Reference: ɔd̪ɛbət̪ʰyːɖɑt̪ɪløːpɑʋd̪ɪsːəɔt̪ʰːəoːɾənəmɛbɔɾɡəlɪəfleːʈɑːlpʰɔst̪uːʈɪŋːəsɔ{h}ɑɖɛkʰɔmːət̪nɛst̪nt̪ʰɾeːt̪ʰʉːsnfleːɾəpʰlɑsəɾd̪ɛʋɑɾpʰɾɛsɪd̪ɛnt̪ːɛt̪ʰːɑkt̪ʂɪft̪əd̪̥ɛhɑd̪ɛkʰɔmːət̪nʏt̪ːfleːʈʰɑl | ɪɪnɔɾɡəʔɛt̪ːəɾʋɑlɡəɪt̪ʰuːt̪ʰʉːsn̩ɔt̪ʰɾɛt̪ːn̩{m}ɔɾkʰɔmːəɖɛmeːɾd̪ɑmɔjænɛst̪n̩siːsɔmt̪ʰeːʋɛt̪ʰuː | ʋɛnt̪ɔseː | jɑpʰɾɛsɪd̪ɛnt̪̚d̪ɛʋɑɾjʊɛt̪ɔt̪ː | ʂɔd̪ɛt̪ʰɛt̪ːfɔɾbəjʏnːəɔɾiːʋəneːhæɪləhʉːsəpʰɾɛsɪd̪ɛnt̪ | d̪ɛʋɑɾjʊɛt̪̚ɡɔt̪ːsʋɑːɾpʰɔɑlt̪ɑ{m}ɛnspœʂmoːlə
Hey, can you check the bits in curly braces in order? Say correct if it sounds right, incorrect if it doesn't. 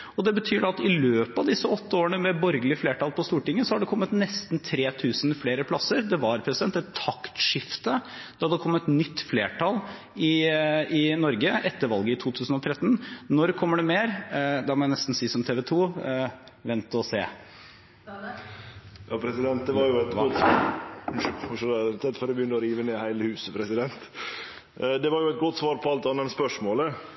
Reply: correct, incorrect, incorrect

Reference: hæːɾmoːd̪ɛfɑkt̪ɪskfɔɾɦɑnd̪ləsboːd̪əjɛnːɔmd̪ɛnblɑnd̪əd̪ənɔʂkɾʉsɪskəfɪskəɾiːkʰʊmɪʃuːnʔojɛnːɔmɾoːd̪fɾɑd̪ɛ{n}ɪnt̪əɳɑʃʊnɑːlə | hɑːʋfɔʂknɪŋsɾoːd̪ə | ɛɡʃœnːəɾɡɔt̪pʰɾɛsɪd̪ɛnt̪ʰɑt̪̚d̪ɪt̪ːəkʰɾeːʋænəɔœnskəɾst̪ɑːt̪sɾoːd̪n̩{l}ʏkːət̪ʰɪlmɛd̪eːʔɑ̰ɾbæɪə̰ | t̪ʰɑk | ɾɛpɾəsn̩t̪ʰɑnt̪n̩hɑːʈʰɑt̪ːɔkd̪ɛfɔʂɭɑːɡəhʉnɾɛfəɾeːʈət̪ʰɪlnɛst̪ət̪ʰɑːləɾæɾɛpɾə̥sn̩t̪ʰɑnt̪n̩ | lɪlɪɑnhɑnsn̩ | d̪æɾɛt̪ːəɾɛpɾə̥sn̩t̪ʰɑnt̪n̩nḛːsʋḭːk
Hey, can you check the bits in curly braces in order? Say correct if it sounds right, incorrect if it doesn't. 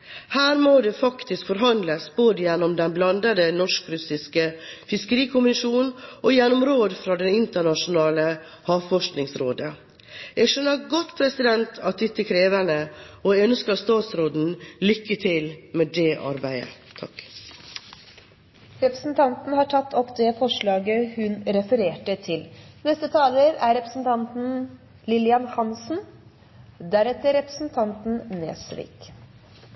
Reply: correct, correct

